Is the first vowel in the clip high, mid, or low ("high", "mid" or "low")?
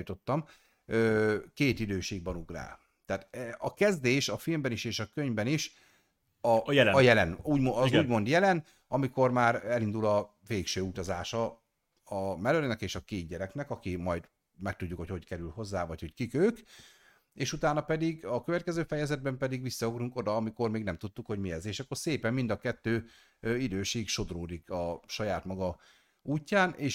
mid